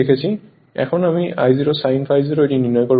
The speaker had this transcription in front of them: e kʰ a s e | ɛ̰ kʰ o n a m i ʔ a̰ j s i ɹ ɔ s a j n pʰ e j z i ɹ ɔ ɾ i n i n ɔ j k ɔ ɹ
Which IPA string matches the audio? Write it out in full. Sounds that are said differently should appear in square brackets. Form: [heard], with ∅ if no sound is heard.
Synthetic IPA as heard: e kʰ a s [i] | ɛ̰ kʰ [ɔ] n a m i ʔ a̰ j [z] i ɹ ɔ s a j n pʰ [a] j z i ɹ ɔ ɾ i n i n ɔ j k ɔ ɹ